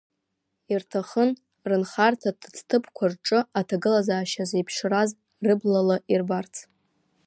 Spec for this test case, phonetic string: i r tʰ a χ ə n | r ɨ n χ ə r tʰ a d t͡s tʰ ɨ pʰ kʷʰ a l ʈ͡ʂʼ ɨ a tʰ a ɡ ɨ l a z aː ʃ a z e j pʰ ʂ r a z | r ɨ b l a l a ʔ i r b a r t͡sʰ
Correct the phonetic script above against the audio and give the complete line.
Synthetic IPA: i r tʰ a χ ə n | r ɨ n χ a r tʰ a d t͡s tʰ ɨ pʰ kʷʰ a r ʈ͡ʂʼ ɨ a tʰ a ɡ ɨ l a z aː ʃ a z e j pʰ ʂ r a z | r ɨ b l a l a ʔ i r b a r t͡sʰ